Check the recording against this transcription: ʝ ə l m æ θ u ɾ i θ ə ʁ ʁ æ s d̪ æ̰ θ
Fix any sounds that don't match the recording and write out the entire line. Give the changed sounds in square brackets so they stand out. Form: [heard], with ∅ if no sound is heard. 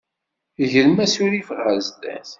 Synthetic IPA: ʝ ə l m æ [s] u ɾ i [f] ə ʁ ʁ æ [z] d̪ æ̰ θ